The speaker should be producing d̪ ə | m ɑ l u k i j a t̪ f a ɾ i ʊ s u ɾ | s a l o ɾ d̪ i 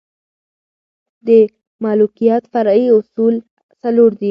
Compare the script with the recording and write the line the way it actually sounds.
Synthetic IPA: d̪ ə | m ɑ l u k i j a t̪ f a ɾ i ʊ s u l | s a l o ɾ d̪ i